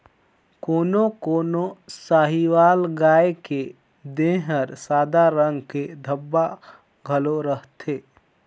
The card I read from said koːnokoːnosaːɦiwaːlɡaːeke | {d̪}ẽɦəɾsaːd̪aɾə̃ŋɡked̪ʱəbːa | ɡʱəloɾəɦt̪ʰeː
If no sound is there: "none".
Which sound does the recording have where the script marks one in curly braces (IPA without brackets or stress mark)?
d̪